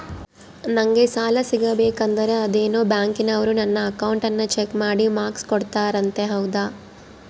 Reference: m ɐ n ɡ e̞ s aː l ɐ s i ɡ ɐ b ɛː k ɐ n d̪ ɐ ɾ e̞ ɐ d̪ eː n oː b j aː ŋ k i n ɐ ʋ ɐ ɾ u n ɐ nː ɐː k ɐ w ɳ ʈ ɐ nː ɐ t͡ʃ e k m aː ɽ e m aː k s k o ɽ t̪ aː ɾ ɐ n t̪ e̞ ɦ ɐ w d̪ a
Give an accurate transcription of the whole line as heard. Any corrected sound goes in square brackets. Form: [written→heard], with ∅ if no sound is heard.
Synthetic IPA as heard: [m→n] ɐ [n→ŋ] ɡ e̞ s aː l ɐ s i ɡ ɐ b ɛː k ɐ n d̪ ɐ ɾ e̞ ɐ d̪ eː n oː b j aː ŋ k i n ɐ ʋ ɐ ɾ u n ɐ nː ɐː k ɐ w ɳ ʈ ɐ nː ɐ t͡ʃ e k m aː ɽ [e→i] m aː k s k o ɽ t̪ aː ɾ ɐ n t̪ e̞ ɦ ɐ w d̪ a